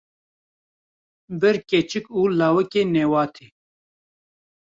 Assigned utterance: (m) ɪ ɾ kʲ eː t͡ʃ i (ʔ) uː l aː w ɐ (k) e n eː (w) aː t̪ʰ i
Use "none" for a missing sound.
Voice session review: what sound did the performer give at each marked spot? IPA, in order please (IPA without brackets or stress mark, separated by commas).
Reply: b, k, k, w